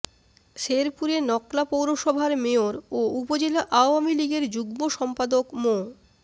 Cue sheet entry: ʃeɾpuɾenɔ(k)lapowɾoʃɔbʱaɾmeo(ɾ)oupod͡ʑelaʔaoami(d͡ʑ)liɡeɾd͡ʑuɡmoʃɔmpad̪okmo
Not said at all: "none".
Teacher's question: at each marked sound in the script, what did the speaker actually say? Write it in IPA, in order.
k, ɾ, none

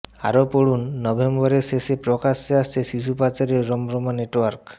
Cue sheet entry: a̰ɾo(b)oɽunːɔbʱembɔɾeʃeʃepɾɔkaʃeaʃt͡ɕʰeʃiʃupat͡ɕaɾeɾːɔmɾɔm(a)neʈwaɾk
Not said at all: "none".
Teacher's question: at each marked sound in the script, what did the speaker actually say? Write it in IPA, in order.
p, a

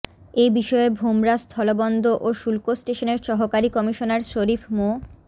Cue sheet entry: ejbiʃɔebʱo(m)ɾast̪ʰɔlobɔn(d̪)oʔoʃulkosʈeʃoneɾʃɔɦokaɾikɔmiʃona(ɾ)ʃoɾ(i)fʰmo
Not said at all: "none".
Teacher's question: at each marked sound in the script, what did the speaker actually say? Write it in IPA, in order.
m, d̪, ɾ, i

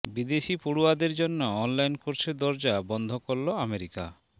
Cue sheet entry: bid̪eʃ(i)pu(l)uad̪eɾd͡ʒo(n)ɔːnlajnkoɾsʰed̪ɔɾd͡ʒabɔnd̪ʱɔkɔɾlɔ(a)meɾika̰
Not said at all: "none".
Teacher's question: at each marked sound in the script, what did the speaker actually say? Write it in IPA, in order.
i, ɽ, nː, a

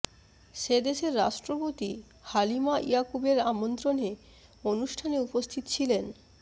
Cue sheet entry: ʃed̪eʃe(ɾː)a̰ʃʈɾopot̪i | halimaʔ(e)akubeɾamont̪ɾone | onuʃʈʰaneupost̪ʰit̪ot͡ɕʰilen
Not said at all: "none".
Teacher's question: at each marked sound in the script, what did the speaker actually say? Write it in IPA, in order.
ɾː, i

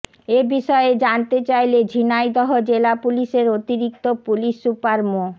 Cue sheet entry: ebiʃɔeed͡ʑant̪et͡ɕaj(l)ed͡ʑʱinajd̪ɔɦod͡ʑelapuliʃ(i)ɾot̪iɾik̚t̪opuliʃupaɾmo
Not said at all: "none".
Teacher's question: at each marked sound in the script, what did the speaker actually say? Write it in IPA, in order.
l, e

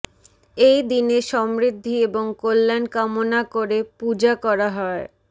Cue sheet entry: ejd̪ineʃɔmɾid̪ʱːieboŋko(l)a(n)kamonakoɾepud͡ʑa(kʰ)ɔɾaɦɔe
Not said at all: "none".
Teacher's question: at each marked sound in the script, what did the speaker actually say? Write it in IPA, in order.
lː, n, k

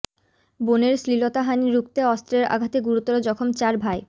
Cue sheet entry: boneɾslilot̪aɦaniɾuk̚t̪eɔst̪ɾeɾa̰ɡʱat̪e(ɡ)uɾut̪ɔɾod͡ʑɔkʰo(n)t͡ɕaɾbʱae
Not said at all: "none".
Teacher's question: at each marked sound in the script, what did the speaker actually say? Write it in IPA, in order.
ɡ, m

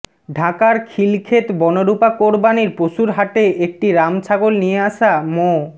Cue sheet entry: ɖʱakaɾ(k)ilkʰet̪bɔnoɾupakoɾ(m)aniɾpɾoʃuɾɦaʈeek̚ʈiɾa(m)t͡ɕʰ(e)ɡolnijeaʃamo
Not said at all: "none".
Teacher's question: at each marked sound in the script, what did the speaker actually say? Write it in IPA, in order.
kʰ, b, m, a

